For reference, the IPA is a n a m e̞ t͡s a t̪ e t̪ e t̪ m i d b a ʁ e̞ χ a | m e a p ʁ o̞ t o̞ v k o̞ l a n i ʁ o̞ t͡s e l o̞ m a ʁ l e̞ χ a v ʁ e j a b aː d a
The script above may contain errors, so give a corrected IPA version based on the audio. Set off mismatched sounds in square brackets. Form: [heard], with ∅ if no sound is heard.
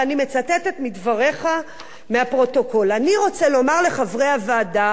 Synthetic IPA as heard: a n [i] m e̞ t͡s a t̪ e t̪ e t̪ m i d [v] a ʁ e̞ χ a | m e a p ʁ o̞ t o̞ [∅] k o̞ l a n i ʁ o̞ t͡s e l o̞ m a ʁ l e̞ χ a v ʁ e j a [v] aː d a